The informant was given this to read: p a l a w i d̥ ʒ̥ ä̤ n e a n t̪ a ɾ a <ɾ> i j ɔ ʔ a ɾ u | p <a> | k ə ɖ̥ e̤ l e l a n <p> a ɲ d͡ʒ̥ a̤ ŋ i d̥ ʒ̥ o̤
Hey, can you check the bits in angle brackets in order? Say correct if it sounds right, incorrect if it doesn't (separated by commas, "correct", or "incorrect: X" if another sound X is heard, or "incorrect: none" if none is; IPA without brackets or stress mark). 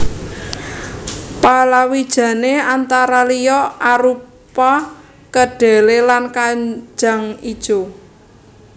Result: incorrect: l, correct, incorrect: k